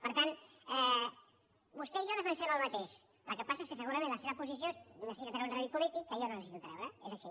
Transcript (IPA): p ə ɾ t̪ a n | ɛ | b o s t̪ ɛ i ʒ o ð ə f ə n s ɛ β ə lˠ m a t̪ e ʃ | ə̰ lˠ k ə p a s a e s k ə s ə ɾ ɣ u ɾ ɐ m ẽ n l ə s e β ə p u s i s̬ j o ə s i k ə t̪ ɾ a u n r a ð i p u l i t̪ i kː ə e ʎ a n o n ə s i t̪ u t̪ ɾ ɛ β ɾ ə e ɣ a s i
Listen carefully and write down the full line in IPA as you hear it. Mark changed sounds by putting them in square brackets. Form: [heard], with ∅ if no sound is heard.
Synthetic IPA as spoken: p ə ɾ t̪ a n | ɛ | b [u] s t̪ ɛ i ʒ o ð ə f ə n s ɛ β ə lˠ m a t̪ e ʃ | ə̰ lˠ k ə p a s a e s k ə s ə [∅] ɣ u ɾ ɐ m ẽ n l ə s e β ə p u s i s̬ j o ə s i k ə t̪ ɾ a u n r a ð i p u l i t̪ i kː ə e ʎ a n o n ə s i t̪ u t̪ ɾ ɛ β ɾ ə e [z] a [ʃ] i